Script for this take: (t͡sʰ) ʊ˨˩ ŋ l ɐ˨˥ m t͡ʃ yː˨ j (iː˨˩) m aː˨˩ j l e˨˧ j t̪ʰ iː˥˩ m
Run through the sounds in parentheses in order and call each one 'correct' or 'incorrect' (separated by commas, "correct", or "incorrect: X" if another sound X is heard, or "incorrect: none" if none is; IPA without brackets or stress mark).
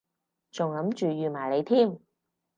incorrect: t͡s, incorrect: yː˨˩